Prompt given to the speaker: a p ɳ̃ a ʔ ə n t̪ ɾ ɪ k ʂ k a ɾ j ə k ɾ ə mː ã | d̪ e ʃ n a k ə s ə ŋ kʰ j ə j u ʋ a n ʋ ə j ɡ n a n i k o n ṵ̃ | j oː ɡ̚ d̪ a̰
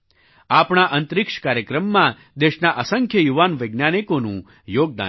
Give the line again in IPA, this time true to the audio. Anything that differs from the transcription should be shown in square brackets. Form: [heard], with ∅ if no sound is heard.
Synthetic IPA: a p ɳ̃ a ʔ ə n t̪ ɾ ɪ k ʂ k a ɾ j ə k ɾ ə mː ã | d̪ e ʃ n a [ʔ] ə s ə ŋ kʰ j ə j u ʋ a n ʋ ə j ɡ n a n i k o n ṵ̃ | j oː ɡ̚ d̪ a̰